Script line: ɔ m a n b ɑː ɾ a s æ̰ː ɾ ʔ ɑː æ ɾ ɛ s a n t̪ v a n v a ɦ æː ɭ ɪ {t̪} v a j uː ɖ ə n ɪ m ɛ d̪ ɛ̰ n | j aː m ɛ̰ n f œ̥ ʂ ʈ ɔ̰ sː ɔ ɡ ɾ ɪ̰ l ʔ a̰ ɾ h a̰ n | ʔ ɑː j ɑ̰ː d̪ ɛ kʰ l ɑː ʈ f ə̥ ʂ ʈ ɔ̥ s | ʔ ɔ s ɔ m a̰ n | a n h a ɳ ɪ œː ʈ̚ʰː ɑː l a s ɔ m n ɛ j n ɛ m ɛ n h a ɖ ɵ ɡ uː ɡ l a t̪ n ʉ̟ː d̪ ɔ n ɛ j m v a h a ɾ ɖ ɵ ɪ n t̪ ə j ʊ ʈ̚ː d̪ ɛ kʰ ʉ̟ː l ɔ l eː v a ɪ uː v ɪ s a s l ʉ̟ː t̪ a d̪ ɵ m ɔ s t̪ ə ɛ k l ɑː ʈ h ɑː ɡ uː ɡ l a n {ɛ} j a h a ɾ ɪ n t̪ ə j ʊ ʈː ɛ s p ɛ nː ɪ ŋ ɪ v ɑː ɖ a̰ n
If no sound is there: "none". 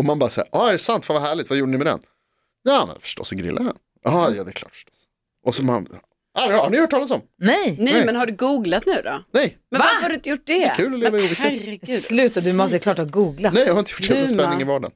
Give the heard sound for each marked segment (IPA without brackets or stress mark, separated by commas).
t̪, ɛ